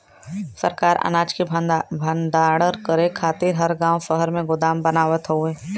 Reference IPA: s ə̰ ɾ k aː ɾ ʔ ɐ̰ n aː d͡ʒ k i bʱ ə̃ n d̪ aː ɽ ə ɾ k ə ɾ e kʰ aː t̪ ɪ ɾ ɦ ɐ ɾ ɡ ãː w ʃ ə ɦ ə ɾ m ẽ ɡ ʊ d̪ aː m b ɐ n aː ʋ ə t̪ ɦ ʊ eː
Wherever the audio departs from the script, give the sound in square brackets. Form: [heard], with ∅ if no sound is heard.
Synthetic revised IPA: s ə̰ ɾ k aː ɾ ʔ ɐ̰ n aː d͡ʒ k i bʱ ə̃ n d̪ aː ɽ ə ɾ k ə ɾ e kʰ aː t̪ ɪ ɾ ɦ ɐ ɾ ɡ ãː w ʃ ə ɦ ə ɾ m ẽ ɡ ʊ d̪ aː m b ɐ n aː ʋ ə t̪ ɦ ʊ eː